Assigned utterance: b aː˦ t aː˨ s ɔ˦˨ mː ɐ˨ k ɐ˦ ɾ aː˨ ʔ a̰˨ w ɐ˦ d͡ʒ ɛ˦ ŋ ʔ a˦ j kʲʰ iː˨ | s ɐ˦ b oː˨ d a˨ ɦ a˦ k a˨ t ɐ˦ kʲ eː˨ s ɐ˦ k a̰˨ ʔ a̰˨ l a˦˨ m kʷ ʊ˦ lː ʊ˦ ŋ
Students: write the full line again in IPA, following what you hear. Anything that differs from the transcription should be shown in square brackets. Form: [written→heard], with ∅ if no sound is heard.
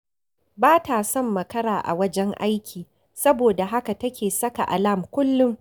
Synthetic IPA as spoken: b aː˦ t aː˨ s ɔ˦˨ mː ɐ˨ k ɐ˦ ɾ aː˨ ʔ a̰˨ w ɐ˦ d͡ʒ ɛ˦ ŋ ʔ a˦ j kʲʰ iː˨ | s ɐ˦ b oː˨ d a˨ ɦ a˦ k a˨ t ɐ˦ kʲ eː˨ s ɐ˦ k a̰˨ ʔ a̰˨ l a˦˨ m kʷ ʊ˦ lː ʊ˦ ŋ

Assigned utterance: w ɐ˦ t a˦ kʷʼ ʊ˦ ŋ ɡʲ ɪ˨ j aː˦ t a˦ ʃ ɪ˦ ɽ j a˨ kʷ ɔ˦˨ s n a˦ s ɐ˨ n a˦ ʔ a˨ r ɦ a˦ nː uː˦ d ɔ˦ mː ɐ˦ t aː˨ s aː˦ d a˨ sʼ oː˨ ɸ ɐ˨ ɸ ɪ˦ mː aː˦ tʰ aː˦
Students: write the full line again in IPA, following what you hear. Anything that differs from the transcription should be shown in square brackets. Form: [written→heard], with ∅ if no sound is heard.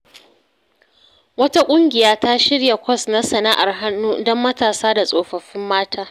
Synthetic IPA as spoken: w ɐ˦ t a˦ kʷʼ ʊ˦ ŋ ɡʲ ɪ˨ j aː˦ t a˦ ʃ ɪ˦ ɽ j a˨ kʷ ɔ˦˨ s n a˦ s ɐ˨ n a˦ ʔ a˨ r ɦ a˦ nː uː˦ d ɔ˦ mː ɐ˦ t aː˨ s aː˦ d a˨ sʼ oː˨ ɸ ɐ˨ ɸ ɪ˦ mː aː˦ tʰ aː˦

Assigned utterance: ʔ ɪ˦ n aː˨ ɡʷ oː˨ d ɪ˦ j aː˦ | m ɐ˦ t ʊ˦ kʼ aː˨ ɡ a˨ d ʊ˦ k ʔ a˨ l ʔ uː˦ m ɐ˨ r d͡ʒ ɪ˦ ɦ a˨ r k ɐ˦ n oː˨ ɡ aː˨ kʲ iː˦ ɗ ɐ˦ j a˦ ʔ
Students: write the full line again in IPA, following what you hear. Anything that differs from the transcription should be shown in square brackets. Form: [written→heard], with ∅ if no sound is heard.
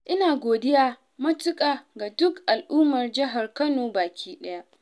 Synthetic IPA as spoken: ʔ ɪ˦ n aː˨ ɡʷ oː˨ d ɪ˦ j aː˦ | m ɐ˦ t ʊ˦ kʼ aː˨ ɡ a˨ d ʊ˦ k ʔ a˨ l ʔ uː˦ m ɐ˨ r d͡ʒ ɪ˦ ɦ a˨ r k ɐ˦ n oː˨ [ɡ→b] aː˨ kʲ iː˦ ɗ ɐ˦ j a˦ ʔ

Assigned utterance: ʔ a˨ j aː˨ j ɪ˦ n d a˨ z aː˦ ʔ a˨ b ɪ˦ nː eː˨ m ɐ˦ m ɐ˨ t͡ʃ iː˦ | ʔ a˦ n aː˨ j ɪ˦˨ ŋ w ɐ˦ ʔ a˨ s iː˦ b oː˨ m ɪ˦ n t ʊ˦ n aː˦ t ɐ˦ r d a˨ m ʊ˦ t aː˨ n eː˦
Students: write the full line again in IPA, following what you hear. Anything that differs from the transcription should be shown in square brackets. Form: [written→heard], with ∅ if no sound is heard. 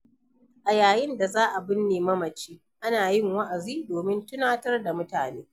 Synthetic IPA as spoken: ʔ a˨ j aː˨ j ɪ˦ n d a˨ z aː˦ ʔ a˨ b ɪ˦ nː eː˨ m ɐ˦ m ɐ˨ t͡ʃ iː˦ | ʔ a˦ n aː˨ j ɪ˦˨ ŋ w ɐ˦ ʔ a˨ [s→z] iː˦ [b→d] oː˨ m ɪ˦ n t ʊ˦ n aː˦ t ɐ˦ r d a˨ m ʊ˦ t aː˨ n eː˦

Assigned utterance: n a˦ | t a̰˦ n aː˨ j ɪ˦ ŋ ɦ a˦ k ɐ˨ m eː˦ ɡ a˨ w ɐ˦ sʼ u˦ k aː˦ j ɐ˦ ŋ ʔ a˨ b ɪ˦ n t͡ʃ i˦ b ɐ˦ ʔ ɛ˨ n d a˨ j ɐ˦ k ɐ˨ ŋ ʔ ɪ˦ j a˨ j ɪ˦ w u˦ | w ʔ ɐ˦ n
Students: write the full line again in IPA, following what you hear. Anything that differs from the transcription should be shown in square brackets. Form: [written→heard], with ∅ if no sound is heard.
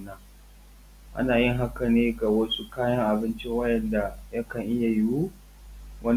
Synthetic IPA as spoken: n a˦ | [t→ʔ] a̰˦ n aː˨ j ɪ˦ ŋ ɦ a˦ k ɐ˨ [m→n] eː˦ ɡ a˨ w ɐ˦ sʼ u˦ k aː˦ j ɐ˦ ŋ ʔ a˨ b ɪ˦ n t͡ʃ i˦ [b→w] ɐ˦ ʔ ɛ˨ n d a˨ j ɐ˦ k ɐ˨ ŋ ʔ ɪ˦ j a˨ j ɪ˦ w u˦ | w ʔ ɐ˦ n

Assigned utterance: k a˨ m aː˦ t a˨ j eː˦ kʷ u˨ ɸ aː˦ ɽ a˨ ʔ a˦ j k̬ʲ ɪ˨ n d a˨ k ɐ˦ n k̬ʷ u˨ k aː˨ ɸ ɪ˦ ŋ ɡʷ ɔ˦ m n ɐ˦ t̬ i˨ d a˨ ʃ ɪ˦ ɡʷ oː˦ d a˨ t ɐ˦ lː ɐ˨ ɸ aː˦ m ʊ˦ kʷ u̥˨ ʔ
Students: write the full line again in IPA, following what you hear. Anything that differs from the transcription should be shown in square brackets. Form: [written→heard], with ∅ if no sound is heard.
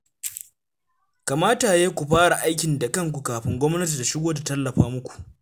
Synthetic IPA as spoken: k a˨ m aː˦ t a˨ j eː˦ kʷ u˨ ɸ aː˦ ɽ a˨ ʔ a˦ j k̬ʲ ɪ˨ n d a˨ k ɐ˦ [n→ŋ] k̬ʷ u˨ k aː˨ ɸ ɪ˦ ŋ ɡʷ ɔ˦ m n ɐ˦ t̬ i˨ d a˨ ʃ ɪ˦ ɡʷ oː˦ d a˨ t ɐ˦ lː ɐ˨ ɸ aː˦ m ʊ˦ kʷ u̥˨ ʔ

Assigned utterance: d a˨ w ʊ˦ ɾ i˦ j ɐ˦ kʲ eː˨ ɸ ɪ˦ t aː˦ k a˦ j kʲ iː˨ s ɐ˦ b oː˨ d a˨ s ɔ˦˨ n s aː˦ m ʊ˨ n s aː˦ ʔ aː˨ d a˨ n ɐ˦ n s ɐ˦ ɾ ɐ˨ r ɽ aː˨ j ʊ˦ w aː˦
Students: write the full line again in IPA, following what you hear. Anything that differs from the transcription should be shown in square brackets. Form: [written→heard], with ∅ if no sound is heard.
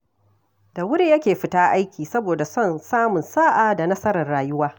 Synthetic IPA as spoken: d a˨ w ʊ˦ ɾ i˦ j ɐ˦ kʲ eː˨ ɸ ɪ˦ t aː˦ [k→ʔ] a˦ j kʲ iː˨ s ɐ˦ b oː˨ d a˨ s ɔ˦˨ n s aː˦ m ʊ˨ n s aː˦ ʔ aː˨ d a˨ n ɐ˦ [n→∅] s ɐ˦ ɾ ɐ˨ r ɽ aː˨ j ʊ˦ w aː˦

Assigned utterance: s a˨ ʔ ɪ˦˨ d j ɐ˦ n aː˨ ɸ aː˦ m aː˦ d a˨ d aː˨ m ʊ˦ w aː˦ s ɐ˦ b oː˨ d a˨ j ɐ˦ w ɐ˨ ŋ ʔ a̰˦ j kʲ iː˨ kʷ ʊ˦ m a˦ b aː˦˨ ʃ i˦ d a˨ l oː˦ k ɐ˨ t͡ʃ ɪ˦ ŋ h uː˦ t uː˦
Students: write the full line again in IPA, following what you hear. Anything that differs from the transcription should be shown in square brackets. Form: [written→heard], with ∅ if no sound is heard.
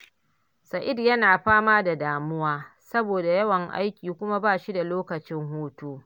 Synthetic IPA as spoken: s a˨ ʔ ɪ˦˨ d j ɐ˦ n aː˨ ɸ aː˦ m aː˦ d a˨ d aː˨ m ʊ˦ w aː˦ s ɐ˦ b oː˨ d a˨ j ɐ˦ w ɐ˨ ŋ ʔ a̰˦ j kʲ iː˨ kʷ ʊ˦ m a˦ b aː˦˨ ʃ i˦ d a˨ l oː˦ k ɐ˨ t͡ʃ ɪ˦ ŋ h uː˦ t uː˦

